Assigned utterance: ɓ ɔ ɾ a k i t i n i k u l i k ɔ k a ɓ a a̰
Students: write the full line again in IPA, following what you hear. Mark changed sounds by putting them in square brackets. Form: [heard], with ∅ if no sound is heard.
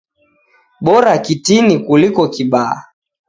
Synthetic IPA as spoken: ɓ ɔ ɾ a k i t i n i k u l i k ɔ k [i] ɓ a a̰